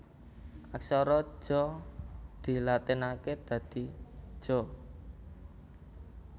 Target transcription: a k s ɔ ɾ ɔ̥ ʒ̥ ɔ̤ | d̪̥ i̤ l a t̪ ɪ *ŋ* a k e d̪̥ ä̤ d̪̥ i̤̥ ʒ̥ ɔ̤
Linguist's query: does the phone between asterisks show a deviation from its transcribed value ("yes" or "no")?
yes